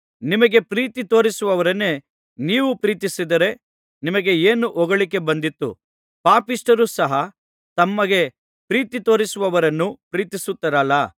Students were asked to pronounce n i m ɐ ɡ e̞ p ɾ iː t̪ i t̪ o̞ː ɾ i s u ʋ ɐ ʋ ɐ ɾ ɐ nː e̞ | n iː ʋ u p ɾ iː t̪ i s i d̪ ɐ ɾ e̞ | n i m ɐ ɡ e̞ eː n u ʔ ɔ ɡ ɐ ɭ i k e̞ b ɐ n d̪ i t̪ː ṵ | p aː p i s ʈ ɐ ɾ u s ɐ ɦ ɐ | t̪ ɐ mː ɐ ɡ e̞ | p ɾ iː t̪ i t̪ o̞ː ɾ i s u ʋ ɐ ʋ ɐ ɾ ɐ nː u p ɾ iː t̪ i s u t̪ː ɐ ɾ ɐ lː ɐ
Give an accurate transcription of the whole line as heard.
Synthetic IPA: n i m ɐ ɡ e̞ p ɾ iː t̪ i t̪ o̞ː ɾ i s u ʋ ɐ ʋ ɐ ɾ ɐ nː e̞ | n iː ʋ u p ɾ iː t̪ i s i d̪ ɐ ɾ e̞ | n i m ɐ ɡ e̞ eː n u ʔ ɔ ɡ ɐ ɭ i k e̞ b ɐ n d̪ i t̪ː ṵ | p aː p i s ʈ ɐ ɾ u s ɐ ɦ ɐ | t̪ ɐ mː ɐ ɡ e̞ | p ɾ iː t̪ i t̪ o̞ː ɾ i s u ʋ ɐ ʋ ɐ ɾ ɐ nː u p ɾ iː t̪ i s u t̪ː ɐ ɾ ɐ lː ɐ